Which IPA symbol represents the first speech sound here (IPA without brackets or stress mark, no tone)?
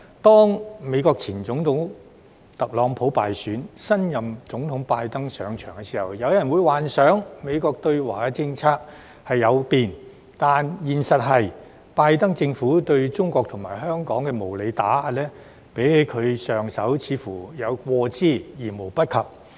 t̪